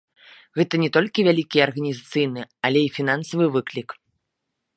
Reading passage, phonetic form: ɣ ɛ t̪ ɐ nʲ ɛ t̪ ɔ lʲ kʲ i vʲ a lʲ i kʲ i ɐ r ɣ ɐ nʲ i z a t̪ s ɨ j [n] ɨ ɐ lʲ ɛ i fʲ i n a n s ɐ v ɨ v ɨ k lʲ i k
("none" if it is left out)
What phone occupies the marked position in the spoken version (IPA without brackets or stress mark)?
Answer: n